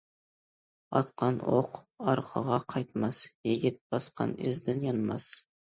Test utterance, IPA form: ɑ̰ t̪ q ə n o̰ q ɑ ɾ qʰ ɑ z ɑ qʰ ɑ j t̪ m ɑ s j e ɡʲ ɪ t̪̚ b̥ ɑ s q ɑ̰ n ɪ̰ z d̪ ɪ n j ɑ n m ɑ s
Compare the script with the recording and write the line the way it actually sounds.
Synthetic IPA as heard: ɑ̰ t̪ q ɑ n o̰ q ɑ ɾ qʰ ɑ ʁ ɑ qʰ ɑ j t̪ m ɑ s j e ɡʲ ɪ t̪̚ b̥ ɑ s q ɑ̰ n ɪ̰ z d̪ ɪ n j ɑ n m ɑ s

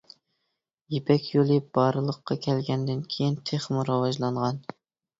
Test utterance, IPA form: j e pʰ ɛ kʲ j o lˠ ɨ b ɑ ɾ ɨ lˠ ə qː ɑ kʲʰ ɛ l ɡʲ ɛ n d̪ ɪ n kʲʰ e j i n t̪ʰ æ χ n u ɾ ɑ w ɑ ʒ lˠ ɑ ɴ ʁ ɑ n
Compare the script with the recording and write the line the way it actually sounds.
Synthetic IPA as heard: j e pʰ ɛ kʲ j o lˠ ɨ b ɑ ɾ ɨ lˠ ə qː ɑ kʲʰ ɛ l ɡʲ ɛ n d̪ ɪ n kʲʰ e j i n t̪ʰ e χ m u ɾ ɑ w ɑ ʒ lˠ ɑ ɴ ʁ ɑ n

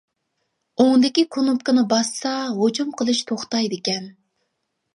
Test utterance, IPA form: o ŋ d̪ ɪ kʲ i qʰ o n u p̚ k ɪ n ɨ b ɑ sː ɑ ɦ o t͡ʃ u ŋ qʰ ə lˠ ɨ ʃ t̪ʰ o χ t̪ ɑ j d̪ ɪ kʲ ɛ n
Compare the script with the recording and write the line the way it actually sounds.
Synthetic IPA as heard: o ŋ d̪ ɪ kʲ i kʰ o n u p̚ k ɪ n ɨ b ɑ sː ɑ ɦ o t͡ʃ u m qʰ ə lˠ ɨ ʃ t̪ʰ o χ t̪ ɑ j d̪ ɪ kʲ ɛ n

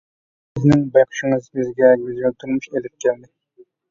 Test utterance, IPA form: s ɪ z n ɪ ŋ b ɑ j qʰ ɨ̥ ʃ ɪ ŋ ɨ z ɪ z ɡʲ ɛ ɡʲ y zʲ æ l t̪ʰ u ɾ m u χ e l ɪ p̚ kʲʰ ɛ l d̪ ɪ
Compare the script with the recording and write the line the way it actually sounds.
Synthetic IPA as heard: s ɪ z n ɪ ŋ b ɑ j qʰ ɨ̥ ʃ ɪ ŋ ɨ z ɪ z ɡʲ ɛ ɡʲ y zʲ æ l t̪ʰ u ɾ m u ʃ e l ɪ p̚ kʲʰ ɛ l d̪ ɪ

